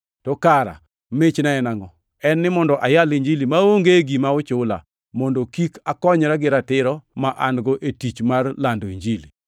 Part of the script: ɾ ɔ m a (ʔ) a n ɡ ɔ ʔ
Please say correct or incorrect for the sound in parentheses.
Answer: correct